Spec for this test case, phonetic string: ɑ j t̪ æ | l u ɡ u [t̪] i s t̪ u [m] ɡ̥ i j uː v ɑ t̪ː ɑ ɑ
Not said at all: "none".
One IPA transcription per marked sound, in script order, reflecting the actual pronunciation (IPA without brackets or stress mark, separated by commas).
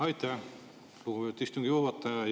t̪, ŋ